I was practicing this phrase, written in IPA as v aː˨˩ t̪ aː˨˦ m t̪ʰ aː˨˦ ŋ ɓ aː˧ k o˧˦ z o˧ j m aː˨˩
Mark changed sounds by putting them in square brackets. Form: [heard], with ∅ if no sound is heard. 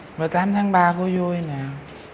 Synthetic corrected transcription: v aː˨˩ t̪ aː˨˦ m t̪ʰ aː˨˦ ŋ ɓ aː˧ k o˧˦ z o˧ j [n] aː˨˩